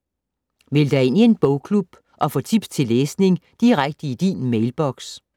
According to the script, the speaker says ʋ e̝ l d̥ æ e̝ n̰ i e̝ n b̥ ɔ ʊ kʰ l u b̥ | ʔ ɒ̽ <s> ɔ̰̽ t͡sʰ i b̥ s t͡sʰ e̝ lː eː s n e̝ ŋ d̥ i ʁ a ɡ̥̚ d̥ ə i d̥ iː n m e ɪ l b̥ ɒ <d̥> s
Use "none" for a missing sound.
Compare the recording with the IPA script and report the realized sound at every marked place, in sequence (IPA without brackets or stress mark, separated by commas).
f, ɡ̥